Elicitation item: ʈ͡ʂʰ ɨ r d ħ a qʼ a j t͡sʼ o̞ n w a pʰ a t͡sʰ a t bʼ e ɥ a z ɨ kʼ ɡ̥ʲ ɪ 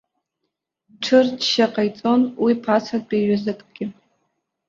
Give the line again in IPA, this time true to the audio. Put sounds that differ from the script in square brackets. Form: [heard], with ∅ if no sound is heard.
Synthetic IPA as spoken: ʈ͡ʂʰ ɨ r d [ʃ] a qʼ a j t͡sʼ o̞ n w [i] pʰ a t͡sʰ a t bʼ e ɥ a z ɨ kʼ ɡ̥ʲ ɪ